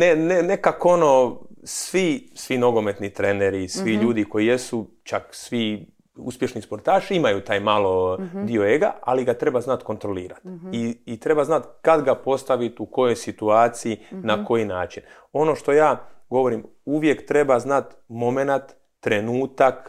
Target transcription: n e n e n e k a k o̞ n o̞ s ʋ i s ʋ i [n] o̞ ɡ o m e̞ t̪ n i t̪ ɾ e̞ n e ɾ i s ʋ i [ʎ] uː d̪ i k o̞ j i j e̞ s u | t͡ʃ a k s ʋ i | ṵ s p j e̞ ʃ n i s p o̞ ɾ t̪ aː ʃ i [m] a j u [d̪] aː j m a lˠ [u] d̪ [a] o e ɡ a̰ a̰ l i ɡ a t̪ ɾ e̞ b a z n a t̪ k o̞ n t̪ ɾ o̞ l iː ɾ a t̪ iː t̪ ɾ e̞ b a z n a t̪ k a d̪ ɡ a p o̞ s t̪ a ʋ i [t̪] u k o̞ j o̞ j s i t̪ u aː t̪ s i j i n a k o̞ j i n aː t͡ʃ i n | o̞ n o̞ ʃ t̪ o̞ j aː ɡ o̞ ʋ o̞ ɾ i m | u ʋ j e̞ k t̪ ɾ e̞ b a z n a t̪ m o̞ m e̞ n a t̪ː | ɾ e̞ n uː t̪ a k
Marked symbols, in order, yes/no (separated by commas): yes, yes, yes, no, no, no, yes